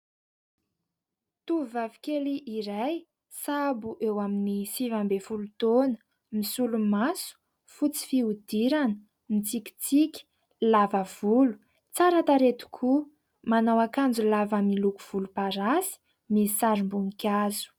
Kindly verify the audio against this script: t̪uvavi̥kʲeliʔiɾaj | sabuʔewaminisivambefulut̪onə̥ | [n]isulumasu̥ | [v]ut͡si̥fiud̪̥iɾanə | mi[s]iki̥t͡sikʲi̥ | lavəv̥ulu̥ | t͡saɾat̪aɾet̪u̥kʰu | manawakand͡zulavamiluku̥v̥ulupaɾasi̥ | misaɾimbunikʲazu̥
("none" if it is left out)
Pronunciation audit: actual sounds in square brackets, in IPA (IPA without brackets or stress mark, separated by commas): m, f, t͡s